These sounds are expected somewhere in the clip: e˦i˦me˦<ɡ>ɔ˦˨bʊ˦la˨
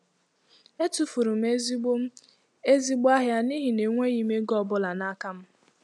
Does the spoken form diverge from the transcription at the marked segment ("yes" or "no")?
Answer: no